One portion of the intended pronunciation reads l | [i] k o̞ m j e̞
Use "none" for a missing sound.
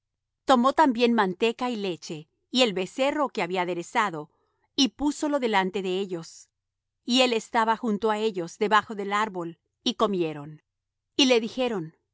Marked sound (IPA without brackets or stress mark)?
i